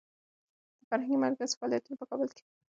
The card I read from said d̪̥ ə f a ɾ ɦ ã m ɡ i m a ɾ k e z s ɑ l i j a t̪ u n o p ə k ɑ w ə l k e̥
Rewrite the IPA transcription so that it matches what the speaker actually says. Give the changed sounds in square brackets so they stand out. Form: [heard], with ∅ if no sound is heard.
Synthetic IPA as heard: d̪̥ ə f a ɾ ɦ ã [ŋ] ɡ i m a ɾ k [a] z [f] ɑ l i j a t̪ u n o p ə k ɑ [b] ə l k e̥